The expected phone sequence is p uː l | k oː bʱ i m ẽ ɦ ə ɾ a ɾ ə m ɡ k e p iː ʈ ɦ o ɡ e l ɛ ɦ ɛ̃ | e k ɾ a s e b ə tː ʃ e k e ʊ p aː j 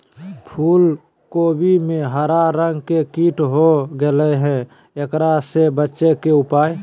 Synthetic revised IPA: pʰ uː l | k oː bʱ i m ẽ ɦ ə ɾ a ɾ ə ŋ ɡ k e k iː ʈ ɦ o ɡ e l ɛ ɦ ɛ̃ | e k ɾ a s e b ə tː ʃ e k e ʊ p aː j